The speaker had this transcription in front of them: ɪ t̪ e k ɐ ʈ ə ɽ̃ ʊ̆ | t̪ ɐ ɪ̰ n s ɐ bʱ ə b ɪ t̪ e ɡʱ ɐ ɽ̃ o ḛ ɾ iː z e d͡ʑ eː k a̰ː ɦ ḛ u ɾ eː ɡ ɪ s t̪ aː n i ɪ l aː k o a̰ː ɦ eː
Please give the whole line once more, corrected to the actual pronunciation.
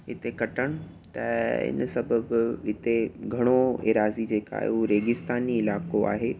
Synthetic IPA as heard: ɪ t̪ e k ɐ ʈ ə ɽ̃ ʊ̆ | t̪ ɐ ɪ̰ n s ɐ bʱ ə b ɪ t̪ e ɡʱ ɐ ɽ̃ o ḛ ɾ aː z i d͡ʑ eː k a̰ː ɦ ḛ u ɾ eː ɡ ɪ s t̪ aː n i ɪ l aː k o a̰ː ɦ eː